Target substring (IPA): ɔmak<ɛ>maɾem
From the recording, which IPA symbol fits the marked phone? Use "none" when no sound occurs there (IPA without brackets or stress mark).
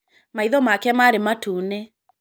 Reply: ɛ